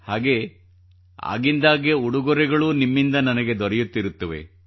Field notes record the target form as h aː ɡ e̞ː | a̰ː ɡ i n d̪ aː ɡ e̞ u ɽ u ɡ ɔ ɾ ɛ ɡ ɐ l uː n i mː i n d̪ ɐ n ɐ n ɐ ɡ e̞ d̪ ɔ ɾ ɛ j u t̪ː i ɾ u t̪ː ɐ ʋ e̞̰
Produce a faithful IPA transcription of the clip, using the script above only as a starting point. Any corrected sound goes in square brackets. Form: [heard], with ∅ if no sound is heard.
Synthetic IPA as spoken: h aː ɡ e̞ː | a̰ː ɡ i n d̪ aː ɡ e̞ u ɽ u ɡ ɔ ɾ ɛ ɡ ɐ [ɭ] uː n i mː i n d̪ ɐ n ɐ n ɐ ɡ e̞ d̪ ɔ ɾ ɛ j u t̪ː i ɾ u t̪ː ɐ ʋ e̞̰

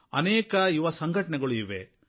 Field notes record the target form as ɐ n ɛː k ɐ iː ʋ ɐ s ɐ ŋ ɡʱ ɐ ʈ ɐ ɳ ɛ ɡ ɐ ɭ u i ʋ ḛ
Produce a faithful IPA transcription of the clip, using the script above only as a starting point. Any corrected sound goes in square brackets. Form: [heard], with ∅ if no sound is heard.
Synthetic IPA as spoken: ɐ n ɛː k ɐ [i] ʋ ɐ s ɐ ŋ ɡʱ ɐ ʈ ɐ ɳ ɛ ɡ ɐ ɭ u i ʋ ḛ

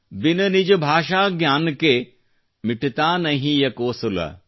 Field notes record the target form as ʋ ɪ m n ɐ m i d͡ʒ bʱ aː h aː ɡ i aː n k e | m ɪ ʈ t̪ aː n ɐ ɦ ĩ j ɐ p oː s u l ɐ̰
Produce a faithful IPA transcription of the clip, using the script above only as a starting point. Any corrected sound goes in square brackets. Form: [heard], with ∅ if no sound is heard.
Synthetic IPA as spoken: ʋ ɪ [∅] n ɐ [n] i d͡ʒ bʱ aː [ʃ] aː ɡ [j] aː n k e | m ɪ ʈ t̪ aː n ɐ ɦ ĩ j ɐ [k] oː s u l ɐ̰

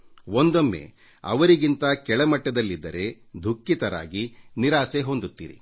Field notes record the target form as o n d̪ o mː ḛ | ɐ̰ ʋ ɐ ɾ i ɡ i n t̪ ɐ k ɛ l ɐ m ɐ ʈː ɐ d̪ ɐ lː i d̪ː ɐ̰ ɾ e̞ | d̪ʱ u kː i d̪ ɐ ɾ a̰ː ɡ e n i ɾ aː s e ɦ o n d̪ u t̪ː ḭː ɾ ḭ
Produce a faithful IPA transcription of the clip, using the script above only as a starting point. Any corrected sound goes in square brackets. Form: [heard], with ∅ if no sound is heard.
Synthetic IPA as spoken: o n d̪ o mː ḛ | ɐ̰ ʋ ɐ ɾ i ɡ i n t̪ ɐ k ɛ [ɭ] ɐ m ɐ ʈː ɐ d̪ ɐ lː i d̪ː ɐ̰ ɾ e̞ | d̪ʱ u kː i [t̪] ɐ ɾ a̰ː ɡ [i] n i ɾ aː s e ɦ o n d̪ u t̪ː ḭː ɾ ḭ

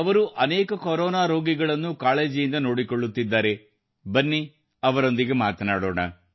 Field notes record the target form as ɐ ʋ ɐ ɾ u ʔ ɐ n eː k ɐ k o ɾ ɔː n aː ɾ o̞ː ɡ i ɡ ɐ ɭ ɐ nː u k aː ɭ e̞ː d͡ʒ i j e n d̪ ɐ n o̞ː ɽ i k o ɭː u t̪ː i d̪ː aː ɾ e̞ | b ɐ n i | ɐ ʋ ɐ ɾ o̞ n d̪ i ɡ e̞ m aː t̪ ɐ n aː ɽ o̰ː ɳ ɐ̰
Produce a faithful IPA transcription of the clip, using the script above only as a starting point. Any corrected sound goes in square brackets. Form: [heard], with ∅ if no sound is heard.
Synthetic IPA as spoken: ɐ ʋ ɐ ɾ u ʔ ɐ n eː k ɐ k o ɾ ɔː n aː ɾ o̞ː ɡ i ɡ ɐ ɭ ɐ nː u k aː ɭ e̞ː d͡ʒ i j [i] n d̪ ɐ n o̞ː ɽ i k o ɭː u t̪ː i d̪ː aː ɾ e̞ | b ɐ [nː] i | ɐ ʋ ɐ ɾ o̞ n d̪ i ɡ e̞ m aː t̪ ɐ n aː ɽ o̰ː ɳ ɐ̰

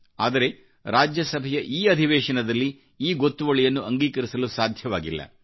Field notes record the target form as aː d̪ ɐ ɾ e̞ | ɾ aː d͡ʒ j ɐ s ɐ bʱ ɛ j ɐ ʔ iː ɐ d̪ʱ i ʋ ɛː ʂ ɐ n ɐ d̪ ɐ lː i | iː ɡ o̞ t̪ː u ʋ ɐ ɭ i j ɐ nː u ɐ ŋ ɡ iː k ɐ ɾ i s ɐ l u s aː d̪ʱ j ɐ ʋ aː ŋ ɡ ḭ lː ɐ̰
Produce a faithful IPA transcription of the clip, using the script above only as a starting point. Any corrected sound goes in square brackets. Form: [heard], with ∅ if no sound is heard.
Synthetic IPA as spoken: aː d̪ ɐ ɾ e̞ | ɾ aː d͡ʒ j ɐ s ɐ bʱ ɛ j ɐ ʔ iː ɐ d̪ʱ i ʋ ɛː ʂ ɐ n ɐ d̪ ɐ lː i | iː ɡ o̞ t̪ː u ʋ ɐ ɭ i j ɐ nː u ɐ ŋ ɡ iː k ɐ ɾ i s ɐ l u s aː d̪ʱ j ɐ ʋ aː [∅] ɡ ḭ lː ɐ̰

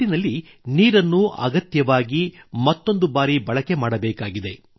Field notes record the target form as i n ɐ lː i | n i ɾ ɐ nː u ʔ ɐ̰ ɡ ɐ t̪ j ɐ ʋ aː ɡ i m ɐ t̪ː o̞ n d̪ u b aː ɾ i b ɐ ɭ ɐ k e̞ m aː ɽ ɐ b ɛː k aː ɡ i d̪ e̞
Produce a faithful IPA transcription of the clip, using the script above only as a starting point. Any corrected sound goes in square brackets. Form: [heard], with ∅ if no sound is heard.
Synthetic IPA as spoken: i n ɐ lː i | n [iː] ɾ ɐ nː u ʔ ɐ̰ ɡ ɐ t̪ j ɐ ʋ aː ɡ i m ɐ t̪ː o̞ n d̪ u b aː ɾ i b ɐ ɭ ɐ k e̞ m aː ɽ ɐ b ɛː k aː ɡ i d̪ e̞

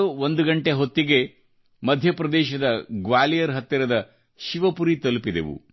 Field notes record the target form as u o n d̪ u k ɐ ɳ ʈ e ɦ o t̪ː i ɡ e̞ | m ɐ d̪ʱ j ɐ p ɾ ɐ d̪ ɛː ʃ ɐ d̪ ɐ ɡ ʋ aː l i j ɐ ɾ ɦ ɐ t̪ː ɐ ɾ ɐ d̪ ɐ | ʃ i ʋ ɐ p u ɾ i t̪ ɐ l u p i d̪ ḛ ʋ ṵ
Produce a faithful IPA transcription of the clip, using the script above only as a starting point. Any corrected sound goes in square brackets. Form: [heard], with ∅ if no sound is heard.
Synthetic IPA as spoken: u o n d̪ u [ɡ] ɐ ɳ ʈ e ɦ o t̪ː i ɡ e̞ | m ɐ d̪ʱ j ɐ p ɾ ɐ d̪ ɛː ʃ ɐ d̪ ɐ ɡ ʋ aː l i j ɐ ɾ ɦ ɐ t̪ː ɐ ɾ ɐ d̪ ɐ | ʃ i ʋ ɐ p u ɾ i t̪ ɐ l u p i d̪ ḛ ʋ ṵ

